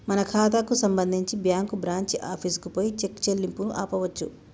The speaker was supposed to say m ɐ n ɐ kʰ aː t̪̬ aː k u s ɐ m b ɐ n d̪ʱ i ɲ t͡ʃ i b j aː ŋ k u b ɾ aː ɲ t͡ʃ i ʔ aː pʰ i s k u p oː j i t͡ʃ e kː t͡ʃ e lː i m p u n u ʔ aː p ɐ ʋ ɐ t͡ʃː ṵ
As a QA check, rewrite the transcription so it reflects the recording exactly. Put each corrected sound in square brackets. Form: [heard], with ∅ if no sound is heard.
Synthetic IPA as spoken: m ɐ n ɐ kʰ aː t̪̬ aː k u s ɐ m b ɐ n d̪ʱ i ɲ t͡ʃ i b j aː ŋ k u b ɾ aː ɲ t͡ʃ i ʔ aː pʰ i s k u p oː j i t͡ʃ e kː t͡ʃ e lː i m p u n u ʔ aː p ɐ ʋ ɐ t͡ʃː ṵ